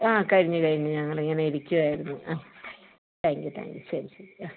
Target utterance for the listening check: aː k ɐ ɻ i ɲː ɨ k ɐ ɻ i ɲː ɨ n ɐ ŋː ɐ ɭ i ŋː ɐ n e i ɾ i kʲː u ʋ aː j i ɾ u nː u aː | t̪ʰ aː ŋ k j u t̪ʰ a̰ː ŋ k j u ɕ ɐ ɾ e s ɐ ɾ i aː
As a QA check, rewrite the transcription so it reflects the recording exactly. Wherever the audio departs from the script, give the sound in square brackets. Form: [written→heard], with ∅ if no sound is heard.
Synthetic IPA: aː k ɐ ɻ i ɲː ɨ k ɐ ɻ i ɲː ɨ [n→ɲ] ɐ ŋː ɐ ɭ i ŋː ɐ n e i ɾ i kʲː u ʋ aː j i ɾ u nː u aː | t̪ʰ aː ŋ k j u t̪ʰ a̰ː ŋ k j u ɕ ɐ ɾ [e→i] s ɐ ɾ i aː

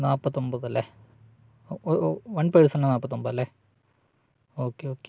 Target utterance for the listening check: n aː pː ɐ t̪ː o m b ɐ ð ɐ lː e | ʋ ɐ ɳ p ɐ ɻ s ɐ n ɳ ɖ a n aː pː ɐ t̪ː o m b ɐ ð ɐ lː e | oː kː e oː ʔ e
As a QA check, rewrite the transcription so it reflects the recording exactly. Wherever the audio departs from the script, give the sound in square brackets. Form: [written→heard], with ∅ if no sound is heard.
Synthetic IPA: n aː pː ɐ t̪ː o m b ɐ ð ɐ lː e | ʋ ɐ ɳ p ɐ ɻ s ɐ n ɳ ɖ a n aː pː ɐ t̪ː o m b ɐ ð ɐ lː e | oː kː e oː [ʔ→k] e

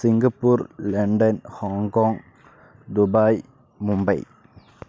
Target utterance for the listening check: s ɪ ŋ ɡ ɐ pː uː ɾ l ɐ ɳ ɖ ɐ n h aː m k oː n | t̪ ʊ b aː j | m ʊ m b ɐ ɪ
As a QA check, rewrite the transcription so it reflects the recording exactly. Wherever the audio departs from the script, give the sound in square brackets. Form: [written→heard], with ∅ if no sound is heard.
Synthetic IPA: s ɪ ŋ ɡ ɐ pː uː ɾ l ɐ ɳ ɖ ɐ n h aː [m→ŋ] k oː [n→ŋ] | [t̪→d̪] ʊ b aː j | m ʊ m b ɐ ɪ

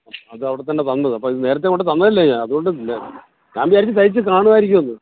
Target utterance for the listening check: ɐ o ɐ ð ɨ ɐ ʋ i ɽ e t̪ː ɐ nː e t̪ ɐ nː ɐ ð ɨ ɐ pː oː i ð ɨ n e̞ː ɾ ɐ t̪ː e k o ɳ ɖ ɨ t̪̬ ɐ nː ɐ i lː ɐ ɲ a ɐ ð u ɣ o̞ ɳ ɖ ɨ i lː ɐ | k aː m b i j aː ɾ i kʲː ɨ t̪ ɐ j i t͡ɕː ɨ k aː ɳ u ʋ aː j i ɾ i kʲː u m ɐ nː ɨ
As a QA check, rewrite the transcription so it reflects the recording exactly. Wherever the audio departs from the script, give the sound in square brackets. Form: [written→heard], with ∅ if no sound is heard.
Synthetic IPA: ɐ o ɐ ð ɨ ɐ ʋ i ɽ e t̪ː ɐ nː e t̪ ɐ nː ɐ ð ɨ ɐ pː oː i ð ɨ n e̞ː ɾ ɐ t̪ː e k o ɳ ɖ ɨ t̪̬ ɐ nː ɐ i lː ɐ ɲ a ɐ ð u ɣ o̞ ɳ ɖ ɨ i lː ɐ | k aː m b i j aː ɾ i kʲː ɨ t̪ ɐ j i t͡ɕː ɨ k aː ɳ u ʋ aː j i ɾ i kʲː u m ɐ nː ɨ

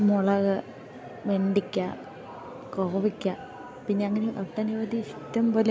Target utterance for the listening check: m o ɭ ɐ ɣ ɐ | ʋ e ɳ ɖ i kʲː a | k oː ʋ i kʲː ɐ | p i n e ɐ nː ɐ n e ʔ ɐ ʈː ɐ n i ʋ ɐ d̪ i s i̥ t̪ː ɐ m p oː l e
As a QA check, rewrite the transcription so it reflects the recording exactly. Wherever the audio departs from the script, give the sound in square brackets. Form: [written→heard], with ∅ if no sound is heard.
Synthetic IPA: m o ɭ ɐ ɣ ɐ | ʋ e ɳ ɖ i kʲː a | k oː ʋ i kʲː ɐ | p i [n→nː] e ɐ [nː→ŋː] ɐ n e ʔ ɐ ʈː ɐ n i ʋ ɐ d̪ i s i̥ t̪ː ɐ m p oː l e

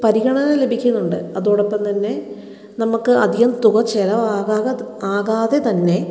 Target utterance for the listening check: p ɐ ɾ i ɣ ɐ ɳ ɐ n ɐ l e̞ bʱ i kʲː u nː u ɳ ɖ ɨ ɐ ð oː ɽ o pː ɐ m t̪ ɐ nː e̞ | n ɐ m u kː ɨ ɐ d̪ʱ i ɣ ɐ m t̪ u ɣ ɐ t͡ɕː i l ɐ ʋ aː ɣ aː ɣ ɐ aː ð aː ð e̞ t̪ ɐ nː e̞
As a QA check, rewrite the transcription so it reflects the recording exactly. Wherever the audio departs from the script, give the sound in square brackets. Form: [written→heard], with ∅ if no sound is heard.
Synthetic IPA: p ɐ ɾ i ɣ ɐ ɳ ɐ n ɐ l e̞ bʱ i kʲː u nː u ɳ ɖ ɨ ɐ ð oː ɽ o pː ɐ m t̪ ɐ nː e̞ | n ɐ m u kː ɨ ɐ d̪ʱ i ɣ ɐ m t̪ u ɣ ɐ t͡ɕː [i→e] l ɐ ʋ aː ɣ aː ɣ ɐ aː [ð→ɣ] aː ð e̞ t̪ ɐ nː e̞

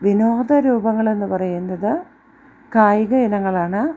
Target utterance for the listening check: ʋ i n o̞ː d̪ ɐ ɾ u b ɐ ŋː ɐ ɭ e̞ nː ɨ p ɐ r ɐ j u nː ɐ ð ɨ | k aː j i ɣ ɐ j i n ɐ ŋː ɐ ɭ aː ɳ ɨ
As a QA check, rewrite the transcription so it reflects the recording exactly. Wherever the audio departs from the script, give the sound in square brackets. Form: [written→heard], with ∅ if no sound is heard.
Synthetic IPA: ʋ i n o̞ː d̪ ɐ ɾ [u→uː] b ɐ ŋː ɐ ɭ e̞ nː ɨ p ɐ r ɐ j u nː ɐ ð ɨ | k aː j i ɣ ɐ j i n ɐ ŋː ɐ ɭ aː ɳ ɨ

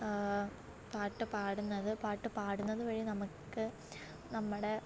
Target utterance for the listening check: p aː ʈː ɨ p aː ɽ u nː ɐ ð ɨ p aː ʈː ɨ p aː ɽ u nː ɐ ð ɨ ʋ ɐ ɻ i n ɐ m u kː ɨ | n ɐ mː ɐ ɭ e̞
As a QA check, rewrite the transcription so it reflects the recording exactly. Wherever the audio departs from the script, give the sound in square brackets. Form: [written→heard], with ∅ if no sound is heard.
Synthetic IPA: p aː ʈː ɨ p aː ɽ u nː ɐ ð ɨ p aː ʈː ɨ p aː ɽ u nː ɐ ð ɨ ʋ ɐ ɻ i n ɐ m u kː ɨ | n ɐ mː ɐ [ɭ→ɽ] e̞

